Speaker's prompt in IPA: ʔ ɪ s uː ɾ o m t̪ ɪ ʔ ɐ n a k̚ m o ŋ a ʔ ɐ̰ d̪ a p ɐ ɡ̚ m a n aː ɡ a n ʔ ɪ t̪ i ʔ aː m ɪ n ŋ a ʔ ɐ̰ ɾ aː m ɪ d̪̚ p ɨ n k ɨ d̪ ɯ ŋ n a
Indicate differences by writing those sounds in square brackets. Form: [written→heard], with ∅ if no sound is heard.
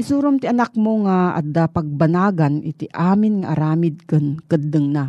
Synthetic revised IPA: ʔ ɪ s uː ɾ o m t̪ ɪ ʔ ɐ n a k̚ m o ŋ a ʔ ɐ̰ d̪ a p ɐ ɡ̚ [m→b] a n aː ɡ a n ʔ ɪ t̪ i ʔ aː m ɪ n ŋ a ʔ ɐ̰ ɾ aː m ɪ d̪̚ [p→k] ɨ n k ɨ d̪ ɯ ŋ n a